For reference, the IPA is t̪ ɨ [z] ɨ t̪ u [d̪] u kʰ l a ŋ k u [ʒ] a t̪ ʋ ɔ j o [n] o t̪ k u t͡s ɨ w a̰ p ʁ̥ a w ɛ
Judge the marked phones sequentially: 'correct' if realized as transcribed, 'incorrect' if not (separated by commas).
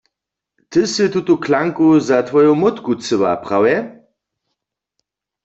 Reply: incorrect, incorrect, incorrect, incorrect